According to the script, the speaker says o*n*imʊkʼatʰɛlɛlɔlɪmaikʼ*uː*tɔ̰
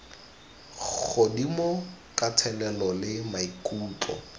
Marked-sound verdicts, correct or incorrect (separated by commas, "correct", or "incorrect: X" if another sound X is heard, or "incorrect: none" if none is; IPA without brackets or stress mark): incorrect: d, correct